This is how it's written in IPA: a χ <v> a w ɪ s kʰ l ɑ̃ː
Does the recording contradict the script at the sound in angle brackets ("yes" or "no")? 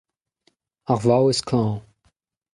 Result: no